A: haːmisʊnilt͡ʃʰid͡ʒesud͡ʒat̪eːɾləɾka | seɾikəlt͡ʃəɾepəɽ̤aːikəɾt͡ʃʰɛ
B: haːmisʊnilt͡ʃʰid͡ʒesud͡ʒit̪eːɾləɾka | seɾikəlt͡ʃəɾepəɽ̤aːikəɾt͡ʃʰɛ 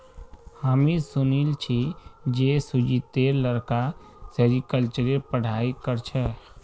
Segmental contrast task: B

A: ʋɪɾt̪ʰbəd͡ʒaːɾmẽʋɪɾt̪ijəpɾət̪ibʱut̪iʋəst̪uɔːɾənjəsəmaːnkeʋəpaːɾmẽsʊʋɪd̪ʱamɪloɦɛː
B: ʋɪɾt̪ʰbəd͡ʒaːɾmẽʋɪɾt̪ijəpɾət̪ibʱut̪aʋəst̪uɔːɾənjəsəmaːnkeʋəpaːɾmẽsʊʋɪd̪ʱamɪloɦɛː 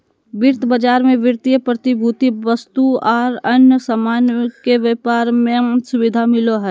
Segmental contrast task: A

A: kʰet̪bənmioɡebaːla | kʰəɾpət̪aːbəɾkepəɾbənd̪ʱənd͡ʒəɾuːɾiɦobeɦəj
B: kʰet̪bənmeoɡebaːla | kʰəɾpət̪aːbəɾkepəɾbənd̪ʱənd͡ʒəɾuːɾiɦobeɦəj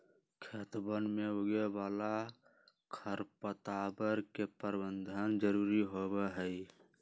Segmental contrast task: B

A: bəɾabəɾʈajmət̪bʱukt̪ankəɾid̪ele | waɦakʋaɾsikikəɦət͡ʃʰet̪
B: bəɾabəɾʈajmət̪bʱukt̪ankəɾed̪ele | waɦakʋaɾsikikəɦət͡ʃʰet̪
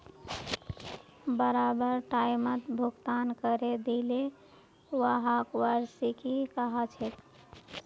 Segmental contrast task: B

